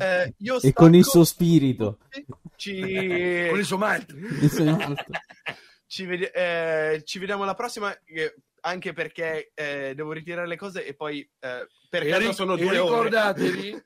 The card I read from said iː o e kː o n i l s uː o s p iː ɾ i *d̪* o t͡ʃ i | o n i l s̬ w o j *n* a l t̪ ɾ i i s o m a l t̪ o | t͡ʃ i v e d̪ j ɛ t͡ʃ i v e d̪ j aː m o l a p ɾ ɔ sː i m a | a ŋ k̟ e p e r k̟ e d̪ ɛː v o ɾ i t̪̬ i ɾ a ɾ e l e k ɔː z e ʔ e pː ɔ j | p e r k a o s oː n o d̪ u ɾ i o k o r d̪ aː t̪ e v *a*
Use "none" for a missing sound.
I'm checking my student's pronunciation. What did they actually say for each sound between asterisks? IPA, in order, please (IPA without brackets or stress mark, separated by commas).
t̪, m, i